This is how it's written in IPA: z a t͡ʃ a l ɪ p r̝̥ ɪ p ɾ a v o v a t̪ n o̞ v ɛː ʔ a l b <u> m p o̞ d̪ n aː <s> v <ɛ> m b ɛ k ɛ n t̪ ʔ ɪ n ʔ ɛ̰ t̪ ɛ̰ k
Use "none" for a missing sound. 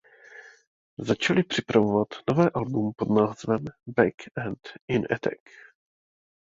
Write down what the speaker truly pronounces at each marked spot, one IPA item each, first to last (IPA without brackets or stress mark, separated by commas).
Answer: u, z, ɛ